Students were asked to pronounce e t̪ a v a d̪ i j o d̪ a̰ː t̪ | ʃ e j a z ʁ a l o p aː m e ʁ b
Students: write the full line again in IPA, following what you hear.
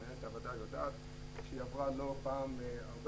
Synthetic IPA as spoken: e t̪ a v a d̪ a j o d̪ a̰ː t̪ | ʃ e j a v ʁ a l o p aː m a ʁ b